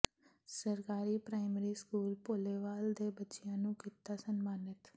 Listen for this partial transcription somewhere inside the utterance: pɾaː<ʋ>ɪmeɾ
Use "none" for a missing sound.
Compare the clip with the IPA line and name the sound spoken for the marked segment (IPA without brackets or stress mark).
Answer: none